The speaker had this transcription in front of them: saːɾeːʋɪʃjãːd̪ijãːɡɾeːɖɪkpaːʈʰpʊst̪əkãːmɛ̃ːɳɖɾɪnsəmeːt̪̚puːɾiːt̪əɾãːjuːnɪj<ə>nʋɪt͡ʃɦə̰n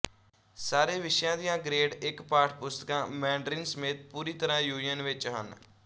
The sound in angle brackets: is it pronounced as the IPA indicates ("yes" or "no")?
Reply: yes